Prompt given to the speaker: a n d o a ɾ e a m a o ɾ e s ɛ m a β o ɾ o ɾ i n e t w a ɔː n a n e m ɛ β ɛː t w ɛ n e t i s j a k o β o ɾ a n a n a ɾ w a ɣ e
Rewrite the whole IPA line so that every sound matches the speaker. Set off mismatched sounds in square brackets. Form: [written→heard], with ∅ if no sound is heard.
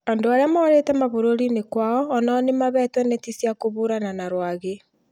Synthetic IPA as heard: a n d o a ɾ e a m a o ɾ e [s→t] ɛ m a β o ɾ o ɾ i n e [t→k] w a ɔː n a n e m [ɛ→a] β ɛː t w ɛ n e t i s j a k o β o ɾ a n a n a ɾ w a ɣ e